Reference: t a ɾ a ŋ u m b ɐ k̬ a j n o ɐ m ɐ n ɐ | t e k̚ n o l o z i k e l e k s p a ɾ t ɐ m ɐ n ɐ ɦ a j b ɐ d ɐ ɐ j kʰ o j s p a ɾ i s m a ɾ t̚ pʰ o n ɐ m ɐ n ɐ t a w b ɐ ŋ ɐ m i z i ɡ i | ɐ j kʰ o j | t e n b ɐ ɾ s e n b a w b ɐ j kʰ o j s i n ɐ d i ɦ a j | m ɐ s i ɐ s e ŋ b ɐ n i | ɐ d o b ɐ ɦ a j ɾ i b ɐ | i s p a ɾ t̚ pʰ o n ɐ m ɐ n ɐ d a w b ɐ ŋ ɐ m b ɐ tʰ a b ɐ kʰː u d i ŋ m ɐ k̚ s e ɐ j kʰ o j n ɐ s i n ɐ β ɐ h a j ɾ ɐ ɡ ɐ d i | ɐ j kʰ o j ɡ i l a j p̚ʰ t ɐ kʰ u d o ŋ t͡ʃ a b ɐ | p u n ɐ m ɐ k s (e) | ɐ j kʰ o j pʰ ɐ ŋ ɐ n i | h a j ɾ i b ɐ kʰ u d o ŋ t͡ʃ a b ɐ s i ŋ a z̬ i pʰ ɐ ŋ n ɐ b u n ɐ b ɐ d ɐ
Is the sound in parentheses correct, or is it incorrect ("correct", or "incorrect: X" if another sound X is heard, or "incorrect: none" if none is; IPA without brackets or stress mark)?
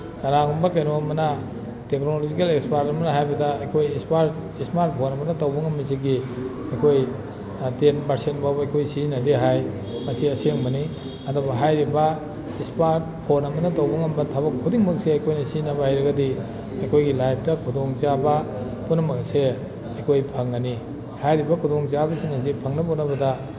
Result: correct